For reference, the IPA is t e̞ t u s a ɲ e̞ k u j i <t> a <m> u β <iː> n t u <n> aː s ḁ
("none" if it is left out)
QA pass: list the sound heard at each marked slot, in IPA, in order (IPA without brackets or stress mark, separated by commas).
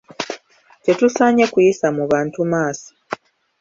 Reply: s, m, aː, m